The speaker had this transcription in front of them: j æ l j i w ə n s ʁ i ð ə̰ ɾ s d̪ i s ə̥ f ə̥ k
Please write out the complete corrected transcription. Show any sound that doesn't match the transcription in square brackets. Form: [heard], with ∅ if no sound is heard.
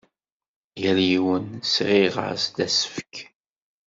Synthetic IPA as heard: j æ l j i w ə n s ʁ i [ʁ] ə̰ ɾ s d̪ [æ] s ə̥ f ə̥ k